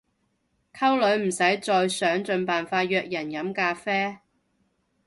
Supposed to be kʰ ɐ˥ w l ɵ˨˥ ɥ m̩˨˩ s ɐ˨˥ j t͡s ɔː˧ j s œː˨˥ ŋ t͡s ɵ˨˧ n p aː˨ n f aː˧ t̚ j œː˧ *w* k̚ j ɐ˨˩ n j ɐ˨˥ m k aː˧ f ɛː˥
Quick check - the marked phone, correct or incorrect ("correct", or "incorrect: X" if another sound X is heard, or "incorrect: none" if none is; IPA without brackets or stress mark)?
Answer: incorrect: none